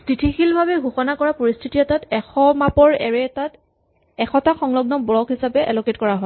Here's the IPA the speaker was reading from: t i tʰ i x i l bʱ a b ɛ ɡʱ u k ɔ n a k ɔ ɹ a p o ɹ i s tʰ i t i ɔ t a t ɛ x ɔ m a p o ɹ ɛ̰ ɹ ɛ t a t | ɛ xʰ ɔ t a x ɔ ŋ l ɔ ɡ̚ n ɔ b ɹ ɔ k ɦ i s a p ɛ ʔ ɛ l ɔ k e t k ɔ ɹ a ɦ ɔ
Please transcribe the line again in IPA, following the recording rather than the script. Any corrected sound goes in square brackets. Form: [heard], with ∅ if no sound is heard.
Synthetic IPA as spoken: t i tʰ i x i l bʱ a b ɛ ɡʱ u [x] ɔ n a k ɔ ɹ a p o ɹ i s tʰ i t i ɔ t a t ɛ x ɔ m a p [ɔ] ɹ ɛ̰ ɹ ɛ t a t | ɛ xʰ ɔ t a x ɔ ŋ l ɔ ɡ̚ n ɔ b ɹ ɔ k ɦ i s a p ɛ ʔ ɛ l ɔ k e t k ɔ ɹ a ɦ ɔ